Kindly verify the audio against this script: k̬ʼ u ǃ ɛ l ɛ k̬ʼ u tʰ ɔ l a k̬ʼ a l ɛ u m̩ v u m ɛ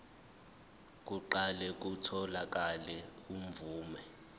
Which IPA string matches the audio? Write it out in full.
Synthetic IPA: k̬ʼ u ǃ a l ɛ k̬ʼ u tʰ ɔ l a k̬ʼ a l ɛ u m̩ v uː m ɛ

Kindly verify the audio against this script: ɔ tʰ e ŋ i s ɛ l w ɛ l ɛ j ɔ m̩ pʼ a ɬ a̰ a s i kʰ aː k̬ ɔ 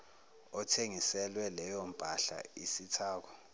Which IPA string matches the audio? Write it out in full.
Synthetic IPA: ɔ tʰ e ŋ i s ɛ l w ɛ l ɛ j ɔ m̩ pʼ a ɬ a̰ i s i tʰ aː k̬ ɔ

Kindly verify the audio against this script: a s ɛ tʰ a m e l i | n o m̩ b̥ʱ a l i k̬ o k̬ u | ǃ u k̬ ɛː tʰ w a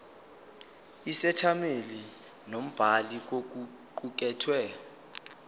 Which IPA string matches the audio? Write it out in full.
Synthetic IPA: i s ɛ tʰ a m e l i | n o m̩ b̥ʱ a l i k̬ o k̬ u | ǃ u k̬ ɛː tʰ w ɛ

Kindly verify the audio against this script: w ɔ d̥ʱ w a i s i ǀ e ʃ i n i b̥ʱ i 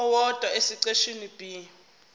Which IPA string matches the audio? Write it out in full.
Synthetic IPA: w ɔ d̥ʱ w a e s i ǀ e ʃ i n i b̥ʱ i

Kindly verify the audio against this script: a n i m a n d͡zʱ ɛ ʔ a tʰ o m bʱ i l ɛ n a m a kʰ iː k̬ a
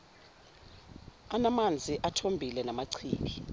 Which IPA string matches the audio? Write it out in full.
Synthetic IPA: a n a m a n d͡zʱ i ʔ a tʰ o m bʱ i l ɛ n a m a ǀʰ iː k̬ i

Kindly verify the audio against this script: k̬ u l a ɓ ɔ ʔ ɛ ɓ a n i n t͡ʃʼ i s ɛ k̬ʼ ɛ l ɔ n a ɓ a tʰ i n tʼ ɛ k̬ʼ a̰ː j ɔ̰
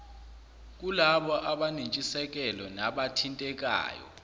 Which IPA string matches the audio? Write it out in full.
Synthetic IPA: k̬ u l a ɓ ɔ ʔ a ɓ a n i n t͡ʃʼ i s ɛ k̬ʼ ɛ l ɔ n a ɓ a tʰ i n tʼ ɛ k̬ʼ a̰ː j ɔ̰

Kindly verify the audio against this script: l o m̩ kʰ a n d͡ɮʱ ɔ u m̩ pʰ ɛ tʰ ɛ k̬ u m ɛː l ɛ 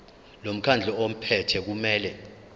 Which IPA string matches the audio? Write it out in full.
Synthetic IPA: l o m̩ kʰ a n d͡ɮʱ ɔ o m̩ pʰ ɛ tʰ ɛ k̬ u m ɛː l ɛ

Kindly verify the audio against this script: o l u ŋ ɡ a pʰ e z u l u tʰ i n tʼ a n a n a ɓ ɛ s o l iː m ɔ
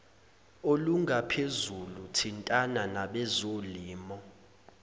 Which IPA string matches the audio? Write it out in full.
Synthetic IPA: o l u ŋ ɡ a pʰ e z u l u tʰ i n tʼ a n a n a ɓ ɛ z o l iː m ɔ

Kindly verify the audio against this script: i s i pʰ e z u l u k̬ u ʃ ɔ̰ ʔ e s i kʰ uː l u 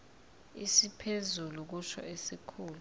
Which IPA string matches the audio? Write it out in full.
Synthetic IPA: i s i pʰ e z u l u k̬ u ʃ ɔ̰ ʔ e s i kʰ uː l u

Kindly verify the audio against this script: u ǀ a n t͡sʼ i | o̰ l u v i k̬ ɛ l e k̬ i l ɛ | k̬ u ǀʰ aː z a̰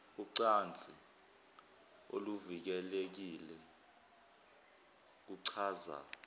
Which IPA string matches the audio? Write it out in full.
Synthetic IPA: u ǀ a n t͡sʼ i | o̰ l u v i k̬ ɛ l e k̬ i l ɛ | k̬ u ǀʰ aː z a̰

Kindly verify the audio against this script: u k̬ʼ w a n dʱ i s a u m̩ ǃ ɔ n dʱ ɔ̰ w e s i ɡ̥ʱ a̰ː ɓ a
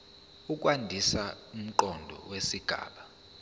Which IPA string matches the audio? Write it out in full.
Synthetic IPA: u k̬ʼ w a n dʱ i s a u m̩ ǃ ɔ n dʱ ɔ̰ w e s i ɡ̥ʱ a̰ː ɓ a

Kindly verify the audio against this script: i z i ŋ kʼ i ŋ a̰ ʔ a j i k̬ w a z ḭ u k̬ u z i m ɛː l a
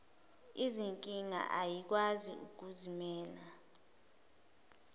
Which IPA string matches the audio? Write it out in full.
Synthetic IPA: i z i ŋ kʼ i ŋ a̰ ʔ a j i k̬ w a z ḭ u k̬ u z i m ɛː l a

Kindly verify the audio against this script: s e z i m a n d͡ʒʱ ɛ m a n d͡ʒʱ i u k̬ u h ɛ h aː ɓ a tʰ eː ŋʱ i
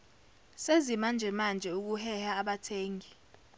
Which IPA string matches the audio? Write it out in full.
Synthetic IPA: s e z i m a n d͡ʒʱ ɛ m a n d͡ʒʱ ɛ u k̬ u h ɛ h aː ɓ a tʰ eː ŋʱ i

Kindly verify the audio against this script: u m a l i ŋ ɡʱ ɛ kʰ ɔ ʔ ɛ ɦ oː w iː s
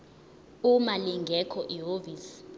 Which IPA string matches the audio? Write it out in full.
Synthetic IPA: u m a l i ŋ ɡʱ ɛ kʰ ɔ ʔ i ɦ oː v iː s

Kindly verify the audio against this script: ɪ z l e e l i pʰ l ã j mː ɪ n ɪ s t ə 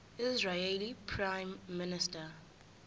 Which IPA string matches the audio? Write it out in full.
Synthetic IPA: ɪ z ɹ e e l i pʰ ɹ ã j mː ɪ n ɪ s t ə

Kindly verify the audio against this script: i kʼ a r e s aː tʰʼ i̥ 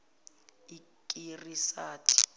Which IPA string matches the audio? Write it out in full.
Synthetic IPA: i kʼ i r i s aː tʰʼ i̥

